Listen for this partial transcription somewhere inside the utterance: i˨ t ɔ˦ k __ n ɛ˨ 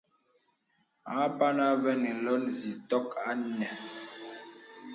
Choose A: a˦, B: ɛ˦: A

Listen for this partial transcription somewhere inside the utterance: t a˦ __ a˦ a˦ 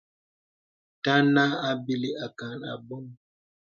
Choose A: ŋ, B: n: B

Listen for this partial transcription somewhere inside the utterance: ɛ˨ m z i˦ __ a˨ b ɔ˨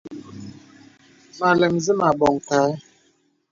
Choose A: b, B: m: B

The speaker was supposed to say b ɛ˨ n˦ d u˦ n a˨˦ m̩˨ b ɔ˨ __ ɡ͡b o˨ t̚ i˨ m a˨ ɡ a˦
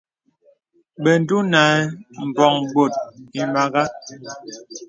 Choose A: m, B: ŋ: B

